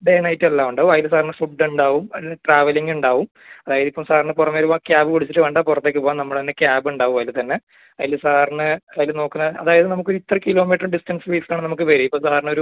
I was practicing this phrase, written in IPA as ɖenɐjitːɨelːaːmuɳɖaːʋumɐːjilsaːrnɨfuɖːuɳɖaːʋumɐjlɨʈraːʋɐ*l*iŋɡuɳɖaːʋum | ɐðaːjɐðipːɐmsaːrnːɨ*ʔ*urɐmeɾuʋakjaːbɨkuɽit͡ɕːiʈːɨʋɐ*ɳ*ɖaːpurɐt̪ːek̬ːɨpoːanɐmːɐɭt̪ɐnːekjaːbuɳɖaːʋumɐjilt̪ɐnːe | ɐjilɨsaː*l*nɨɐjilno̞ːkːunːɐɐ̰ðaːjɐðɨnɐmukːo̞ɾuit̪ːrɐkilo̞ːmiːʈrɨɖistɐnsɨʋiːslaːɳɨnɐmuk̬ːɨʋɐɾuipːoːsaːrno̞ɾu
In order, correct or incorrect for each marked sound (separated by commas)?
correct, incorrect, correct, incorrect